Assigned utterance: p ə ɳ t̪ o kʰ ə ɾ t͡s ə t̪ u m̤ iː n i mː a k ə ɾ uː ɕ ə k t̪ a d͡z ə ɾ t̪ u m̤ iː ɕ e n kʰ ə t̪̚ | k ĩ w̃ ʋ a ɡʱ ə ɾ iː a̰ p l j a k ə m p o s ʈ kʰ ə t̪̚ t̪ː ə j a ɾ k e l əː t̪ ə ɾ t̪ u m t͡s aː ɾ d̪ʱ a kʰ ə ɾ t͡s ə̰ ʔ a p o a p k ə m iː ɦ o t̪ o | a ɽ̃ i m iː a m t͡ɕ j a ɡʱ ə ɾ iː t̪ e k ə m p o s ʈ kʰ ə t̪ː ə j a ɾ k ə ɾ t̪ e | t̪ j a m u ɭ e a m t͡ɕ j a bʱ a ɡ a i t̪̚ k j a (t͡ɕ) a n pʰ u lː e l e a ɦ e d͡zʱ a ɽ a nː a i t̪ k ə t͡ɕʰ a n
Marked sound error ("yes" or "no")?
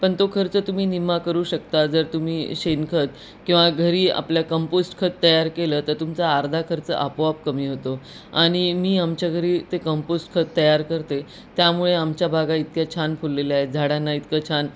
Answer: yes